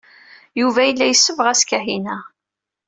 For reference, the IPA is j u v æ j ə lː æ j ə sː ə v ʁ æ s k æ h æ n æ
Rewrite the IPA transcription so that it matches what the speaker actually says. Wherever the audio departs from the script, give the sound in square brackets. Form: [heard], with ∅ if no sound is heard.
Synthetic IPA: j u v æ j ə lː æ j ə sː ə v ʁ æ s k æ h [i] n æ